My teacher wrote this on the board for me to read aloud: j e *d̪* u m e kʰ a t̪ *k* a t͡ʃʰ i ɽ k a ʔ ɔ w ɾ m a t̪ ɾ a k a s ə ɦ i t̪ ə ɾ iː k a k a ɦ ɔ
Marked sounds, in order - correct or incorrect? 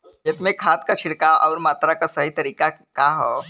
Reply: incorrect: t̪, correct

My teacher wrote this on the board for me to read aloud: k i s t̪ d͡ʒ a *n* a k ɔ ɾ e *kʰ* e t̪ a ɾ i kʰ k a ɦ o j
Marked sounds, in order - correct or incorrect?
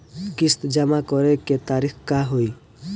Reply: incorrect: m, incorrect: k

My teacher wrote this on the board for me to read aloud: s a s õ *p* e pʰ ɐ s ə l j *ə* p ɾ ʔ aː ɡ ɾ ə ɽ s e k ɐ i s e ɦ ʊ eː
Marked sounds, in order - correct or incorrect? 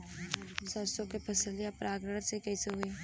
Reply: incorrect: k, incorrect: a

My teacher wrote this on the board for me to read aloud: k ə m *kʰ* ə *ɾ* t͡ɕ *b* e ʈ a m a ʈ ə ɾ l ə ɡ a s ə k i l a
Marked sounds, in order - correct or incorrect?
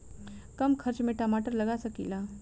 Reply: correct, correct, incorrect: m

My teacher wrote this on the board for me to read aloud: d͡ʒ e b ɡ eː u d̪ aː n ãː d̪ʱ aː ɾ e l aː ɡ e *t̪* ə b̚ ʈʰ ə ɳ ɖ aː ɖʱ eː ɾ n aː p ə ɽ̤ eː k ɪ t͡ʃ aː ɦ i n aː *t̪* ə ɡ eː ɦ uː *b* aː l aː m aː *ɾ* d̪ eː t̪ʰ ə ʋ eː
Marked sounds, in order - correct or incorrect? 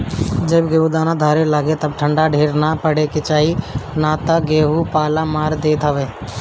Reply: correct, correct, incorrect: p, correct

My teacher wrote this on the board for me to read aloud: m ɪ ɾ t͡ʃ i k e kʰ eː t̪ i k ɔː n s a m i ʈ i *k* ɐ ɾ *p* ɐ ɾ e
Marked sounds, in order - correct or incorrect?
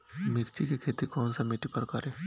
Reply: incorrect: p, incorrect: k

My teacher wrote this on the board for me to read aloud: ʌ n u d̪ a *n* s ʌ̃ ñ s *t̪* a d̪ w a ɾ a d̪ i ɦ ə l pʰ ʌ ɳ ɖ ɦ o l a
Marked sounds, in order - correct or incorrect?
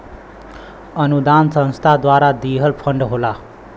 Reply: correct, incorrect: t̪ʰ

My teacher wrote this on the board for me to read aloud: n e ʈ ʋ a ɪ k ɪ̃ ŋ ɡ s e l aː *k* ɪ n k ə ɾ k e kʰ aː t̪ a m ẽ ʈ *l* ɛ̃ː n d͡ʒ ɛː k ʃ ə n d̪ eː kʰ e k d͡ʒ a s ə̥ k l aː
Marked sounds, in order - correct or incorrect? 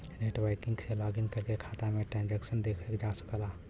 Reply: incorrect: ɡ, incorrect: ɾ

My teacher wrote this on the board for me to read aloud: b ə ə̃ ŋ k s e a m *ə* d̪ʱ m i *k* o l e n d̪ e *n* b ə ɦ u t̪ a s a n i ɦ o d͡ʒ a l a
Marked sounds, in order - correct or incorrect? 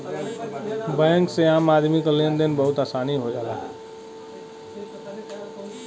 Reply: incorrect: a, correct, correct

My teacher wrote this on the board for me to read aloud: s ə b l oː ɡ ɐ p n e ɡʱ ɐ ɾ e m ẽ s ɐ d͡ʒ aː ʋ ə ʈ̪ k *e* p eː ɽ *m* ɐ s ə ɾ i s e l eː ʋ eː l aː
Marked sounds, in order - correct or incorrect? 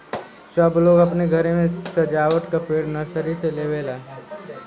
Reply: incorrect: a, incorrect: n

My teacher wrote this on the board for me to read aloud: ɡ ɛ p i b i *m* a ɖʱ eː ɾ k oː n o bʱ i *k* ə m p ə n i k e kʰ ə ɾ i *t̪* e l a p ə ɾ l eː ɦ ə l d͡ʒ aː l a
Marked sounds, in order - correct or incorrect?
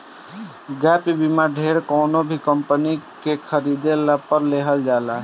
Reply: correct, correct, incorrect: d̪

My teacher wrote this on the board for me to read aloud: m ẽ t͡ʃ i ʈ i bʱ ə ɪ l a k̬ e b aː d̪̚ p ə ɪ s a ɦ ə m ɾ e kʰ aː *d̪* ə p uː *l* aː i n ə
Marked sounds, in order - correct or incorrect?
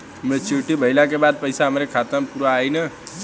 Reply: incorrect: t̪, incorrect: ɾ

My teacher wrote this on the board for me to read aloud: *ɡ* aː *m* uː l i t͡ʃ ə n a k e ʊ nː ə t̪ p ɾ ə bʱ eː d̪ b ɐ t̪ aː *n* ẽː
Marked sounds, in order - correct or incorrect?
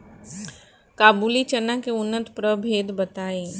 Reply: incorrect: k, incorrect: b, incorrect: none

